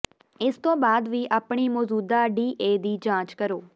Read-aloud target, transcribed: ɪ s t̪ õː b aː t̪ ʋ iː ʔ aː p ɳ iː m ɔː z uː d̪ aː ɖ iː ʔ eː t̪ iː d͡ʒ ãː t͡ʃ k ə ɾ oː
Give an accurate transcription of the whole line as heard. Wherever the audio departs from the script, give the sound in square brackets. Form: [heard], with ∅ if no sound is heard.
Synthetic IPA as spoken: ɪ s t̪ õː b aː [d̪] ʋ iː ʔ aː p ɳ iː m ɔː z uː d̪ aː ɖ iː ʔ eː [d̪] iː d͡ʒ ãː t͡ʃ k ə ɾ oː

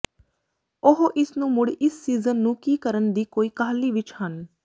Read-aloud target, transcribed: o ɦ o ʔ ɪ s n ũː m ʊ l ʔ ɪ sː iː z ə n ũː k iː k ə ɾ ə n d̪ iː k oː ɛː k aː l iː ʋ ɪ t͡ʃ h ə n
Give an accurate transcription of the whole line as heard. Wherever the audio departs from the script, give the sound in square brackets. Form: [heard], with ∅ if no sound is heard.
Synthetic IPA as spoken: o ɦ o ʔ ɪ s n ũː m ʊ [ɽ] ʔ ɪ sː iː z ə [nː] ũː k iː k ə ɾ ə n d̪ iː k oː [iː] k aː l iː ʋ ɪ t͡ʃ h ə n

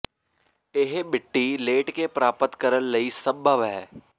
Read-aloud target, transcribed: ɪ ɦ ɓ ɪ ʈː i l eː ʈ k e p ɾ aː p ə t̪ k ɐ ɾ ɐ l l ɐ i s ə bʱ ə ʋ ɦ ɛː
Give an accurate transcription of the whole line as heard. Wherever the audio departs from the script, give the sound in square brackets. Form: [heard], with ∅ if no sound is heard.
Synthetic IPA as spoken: ɪ ɦ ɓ ɪ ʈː i l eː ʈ k e p ɾ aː p ə t̪ k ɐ ɾ [ə] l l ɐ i s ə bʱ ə ʋ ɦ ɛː

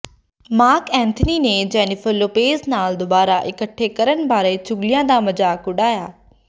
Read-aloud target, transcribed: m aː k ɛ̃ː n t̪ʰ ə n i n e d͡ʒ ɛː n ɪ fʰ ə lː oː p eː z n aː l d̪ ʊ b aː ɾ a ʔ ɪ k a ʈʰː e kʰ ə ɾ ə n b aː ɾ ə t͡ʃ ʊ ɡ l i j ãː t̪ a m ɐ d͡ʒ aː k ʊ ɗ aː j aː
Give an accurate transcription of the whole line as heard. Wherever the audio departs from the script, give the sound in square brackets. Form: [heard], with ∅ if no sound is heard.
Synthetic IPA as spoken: m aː k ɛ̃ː n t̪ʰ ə n i n e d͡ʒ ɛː n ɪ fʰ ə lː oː p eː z n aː l d̪ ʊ b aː ɾ a ʔ ɪ k [ə] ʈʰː e [k] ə ɾ ə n b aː ɾ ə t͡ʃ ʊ ɡ l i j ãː [d̪] a m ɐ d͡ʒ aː k ʊ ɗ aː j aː

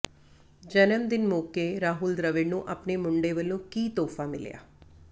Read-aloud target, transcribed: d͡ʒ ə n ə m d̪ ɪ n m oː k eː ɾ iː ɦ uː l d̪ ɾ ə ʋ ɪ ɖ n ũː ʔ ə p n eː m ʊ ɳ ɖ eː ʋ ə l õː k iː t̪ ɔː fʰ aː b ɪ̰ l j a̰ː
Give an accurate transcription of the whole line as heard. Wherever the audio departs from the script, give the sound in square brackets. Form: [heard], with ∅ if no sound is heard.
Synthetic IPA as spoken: d͡ʒ ə n ə m d̪ ɪ n m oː k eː ɾ [aː] ɦ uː l d̪ ɾ ə ʋ ɪ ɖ n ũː ʔ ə p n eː m ʊ ɳ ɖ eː ʋ ə l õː k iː t̪ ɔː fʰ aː [m] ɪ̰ l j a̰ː

